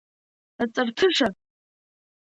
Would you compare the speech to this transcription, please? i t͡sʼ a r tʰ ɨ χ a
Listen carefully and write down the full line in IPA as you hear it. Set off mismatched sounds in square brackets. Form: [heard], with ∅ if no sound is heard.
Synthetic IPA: [a] t͡sʼ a r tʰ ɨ [ʂ] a